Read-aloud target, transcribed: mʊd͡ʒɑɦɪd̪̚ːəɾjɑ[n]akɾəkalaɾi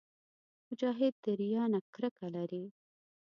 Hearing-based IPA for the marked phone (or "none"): n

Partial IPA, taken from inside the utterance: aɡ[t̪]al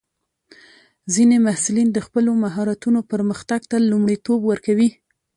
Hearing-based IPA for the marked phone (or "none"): t̪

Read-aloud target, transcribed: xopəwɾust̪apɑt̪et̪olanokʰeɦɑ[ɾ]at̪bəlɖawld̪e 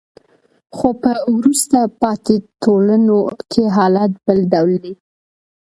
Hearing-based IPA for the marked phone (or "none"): l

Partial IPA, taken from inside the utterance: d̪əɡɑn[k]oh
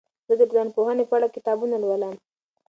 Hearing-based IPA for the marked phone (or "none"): p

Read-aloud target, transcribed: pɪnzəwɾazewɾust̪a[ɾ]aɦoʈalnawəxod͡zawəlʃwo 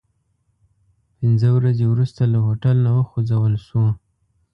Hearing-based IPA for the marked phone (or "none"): l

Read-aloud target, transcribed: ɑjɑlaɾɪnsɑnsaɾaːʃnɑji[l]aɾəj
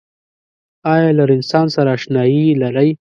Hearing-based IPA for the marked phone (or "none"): l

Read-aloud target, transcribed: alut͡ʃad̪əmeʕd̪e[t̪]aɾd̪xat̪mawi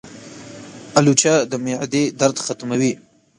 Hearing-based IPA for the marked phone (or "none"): d̪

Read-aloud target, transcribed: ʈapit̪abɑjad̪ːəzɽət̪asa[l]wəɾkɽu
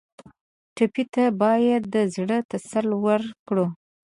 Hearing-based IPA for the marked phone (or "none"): l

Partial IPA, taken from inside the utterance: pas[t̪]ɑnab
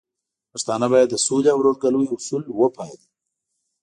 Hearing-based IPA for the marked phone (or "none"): t̪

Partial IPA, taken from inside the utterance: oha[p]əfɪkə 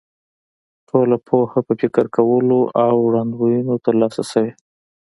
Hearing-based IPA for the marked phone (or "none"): p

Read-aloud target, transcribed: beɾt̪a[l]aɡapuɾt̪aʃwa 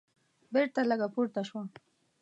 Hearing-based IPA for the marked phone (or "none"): l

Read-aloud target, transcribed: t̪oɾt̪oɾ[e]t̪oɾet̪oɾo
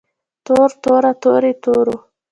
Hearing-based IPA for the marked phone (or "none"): a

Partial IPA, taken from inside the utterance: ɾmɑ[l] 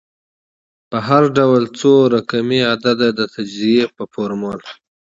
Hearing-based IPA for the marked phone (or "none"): l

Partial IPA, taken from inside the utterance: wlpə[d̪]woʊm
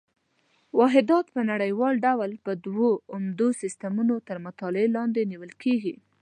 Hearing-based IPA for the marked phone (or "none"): d̪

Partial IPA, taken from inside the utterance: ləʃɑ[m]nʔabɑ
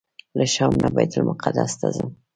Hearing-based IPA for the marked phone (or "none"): m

